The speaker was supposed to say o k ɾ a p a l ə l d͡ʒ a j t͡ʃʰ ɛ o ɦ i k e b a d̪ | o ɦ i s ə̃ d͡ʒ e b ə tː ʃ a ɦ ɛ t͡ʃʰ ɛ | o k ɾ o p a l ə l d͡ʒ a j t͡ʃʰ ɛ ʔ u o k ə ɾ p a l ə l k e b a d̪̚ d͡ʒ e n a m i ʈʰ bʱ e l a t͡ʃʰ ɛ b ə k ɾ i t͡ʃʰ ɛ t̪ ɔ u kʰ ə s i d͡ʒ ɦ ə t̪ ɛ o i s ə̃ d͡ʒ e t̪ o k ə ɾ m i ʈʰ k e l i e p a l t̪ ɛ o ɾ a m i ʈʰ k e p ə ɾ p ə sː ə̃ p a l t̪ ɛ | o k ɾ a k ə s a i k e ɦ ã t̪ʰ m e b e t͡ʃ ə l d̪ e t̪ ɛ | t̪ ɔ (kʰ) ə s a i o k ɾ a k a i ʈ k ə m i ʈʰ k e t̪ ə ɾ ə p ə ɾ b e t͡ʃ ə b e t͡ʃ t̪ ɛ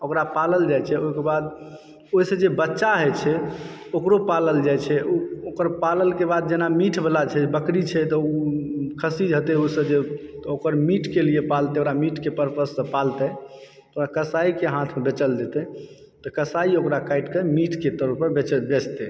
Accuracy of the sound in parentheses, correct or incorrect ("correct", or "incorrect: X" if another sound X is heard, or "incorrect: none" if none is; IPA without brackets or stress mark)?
incorrect: k